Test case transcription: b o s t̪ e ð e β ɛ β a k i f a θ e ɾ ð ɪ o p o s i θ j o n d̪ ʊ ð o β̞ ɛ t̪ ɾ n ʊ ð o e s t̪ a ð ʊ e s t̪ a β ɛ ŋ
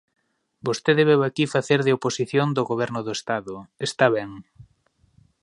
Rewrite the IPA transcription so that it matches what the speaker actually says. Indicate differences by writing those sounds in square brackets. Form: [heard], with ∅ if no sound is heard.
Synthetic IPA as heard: b o s t̪ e ð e β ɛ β a k i f a θ e ɾ ð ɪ o p o s i θ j o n d̪ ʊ [ɣ] o β̞ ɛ [∅] ɾ n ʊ ð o e s t̪ a ð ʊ e s t̪ a β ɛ ŋ